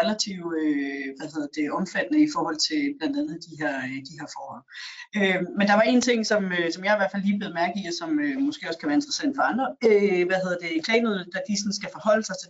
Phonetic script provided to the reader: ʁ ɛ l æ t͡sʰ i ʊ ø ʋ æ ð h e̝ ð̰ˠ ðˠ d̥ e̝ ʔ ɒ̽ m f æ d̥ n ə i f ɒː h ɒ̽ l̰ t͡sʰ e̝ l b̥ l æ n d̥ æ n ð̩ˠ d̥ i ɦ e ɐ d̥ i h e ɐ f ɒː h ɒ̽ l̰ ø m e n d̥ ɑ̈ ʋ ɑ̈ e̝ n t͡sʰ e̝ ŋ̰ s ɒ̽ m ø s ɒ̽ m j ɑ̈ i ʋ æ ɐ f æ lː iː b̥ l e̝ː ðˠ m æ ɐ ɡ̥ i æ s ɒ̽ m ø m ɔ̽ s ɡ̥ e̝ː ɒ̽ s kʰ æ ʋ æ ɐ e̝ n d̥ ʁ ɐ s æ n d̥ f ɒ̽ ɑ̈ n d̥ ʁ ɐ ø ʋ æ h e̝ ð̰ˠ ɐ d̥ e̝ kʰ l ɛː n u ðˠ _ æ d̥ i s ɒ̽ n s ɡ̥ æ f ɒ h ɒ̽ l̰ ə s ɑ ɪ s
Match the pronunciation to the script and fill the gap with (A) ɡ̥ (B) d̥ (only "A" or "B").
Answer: B